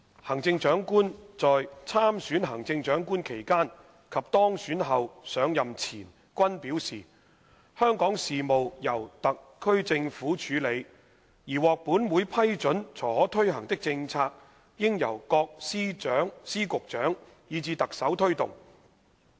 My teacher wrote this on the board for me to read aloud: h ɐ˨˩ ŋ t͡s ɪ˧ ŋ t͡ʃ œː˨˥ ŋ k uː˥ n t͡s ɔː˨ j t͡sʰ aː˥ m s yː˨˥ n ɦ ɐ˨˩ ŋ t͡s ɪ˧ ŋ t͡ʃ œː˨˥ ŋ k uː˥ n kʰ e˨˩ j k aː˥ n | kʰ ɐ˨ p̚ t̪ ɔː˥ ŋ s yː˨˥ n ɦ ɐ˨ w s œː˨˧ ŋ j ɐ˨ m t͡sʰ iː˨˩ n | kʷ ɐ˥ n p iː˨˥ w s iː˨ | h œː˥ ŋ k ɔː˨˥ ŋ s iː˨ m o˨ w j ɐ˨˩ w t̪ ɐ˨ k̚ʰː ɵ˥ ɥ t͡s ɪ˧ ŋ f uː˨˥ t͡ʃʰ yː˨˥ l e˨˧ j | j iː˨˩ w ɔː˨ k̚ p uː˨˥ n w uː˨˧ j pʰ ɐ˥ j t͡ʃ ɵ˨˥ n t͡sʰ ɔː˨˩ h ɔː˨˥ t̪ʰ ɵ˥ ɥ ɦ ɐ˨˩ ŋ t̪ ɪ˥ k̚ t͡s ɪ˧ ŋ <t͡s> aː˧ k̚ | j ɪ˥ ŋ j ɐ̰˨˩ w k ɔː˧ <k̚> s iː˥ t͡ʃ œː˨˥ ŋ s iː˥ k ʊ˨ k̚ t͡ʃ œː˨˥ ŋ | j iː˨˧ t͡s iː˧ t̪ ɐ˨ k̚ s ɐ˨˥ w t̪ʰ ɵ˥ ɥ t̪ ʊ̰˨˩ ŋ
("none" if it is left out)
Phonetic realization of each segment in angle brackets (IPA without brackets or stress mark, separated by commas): t͡sʰ, k̚